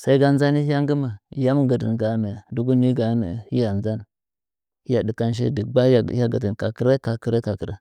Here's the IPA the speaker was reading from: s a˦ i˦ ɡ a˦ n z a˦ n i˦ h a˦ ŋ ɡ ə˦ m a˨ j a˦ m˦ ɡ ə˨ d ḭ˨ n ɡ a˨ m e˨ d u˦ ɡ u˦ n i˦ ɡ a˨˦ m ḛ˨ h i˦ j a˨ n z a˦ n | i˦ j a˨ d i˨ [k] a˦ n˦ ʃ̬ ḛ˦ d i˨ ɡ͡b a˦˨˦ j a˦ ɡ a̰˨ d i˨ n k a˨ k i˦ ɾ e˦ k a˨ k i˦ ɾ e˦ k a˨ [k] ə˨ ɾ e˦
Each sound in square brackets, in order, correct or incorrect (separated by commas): correct, correct